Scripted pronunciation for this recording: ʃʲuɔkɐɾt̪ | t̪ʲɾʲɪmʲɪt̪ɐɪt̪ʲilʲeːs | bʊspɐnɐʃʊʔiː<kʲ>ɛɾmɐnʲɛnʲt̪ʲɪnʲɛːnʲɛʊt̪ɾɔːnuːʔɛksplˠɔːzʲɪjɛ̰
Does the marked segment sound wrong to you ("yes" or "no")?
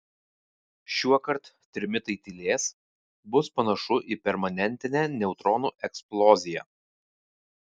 yes